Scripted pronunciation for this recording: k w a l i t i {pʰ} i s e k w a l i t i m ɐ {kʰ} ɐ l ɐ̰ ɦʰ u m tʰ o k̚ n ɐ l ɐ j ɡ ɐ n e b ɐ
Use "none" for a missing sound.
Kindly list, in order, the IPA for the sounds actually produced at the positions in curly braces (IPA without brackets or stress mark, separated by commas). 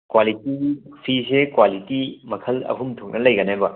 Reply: pʰ, kʰ